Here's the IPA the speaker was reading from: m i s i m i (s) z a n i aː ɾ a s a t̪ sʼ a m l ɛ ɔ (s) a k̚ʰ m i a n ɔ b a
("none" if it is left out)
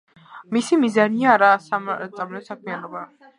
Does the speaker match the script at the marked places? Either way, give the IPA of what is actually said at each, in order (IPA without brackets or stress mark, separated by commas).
none, s